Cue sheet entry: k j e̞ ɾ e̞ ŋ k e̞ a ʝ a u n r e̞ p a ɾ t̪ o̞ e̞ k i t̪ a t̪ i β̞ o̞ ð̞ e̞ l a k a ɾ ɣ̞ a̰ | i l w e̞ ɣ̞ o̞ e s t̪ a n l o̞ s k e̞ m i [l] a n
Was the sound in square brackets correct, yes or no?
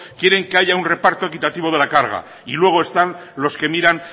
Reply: no